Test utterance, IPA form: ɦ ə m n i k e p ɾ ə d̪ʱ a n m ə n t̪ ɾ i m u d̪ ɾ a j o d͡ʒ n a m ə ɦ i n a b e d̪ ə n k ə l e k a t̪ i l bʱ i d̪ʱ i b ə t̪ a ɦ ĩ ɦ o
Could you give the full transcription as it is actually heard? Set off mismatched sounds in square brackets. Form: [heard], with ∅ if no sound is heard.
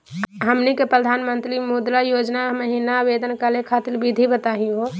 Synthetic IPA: ɦ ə m n i k e p ɾ ə d̪ʱ a n m ə n t̪ ɾ i m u d̪ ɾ a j o d͡ʒ n a m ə ɦ i n a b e d̪ ə n k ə l e [kʰ] a t̪ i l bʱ i d̪ʱ i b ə t̪ a ɦ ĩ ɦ o